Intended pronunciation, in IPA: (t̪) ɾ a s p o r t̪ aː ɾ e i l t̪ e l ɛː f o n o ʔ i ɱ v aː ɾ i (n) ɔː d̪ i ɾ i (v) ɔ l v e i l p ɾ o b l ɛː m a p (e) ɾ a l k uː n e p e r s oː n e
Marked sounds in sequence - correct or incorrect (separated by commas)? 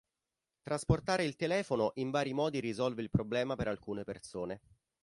correct, incorrect, incorrect, correct